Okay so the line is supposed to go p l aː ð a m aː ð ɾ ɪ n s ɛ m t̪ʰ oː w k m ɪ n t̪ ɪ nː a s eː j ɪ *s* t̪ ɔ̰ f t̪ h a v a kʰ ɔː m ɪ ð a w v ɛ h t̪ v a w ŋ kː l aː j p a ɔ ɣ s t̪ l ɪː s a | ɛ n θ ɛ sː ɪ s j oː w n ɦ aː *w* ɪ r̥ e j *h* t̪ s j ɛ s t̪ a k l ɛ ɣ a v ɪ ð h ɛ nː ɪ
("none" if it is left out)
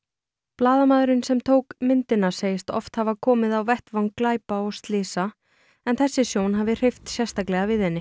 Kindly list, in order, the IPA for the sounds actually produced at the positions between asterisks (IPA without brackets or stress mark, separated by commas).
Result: s, v, f